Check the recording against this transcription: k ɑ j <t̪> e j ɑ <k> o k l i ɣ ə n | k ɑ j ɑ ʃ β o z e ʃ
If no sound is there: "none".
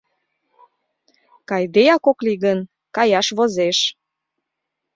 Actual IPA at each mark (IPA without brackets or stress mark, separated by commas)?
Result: d̪, k